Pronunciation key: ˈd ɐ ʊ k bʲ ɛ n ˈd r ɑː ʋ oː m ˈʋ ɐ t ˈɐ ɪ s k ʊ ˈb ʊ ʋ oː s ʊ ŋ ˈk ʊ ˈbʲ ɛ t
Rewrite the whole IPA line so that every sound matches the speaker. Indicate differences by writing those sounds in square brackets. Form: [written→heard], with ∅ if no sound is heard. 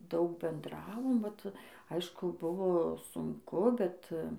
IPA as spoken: ˈd ɐ ʊ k bʲ ɛ n ˈd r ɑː ʋ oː m ˈʋ ɐ t ˈɐ ɪ [s→ʃ] k ʊ ˈb ʊ ʋ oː s ʊ ŋ ˈk ʊ ˈbʲ ɛ t